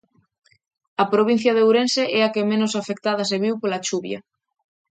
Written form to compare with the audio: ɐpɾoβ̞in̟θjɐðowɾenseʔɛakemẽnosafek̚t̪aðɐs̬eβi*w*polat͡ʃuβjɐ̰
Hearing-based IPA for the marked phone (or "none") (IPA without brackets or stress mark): w